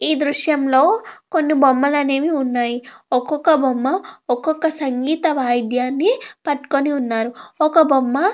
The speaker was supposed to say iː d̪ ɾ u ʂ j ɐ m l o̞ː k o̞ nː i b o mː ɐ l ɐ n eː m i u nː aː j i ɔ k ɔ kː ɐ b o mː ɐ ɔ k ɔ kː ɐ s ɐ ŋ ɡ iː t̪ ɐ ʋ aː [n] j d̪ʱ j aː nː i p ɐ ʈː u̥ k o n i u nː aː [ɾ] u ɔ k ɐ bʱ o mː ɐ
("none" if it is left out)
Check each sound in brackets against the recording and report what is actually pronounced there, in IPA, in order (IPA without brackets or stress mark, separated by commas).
none, ɾ